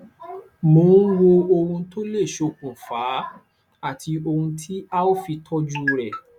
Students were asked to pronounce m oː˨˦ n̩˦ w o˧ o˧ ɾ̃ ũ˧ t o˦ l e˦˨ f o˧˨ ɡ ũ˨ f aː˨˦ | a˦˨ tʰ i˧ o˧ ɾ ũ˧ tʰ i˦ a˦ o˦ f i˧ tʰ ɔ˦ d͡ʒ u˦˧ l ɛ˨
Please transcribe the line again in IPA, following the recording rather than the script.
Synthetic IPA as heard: m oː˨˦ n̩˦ w o˧ o˧ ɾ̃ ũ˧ t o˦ l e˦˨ ʃ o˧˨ k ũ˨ f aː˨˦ | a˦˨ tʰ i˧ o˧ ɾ ũ˧ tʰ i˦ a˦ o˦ f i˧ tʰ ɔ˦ d͡ʒ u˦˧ ɾ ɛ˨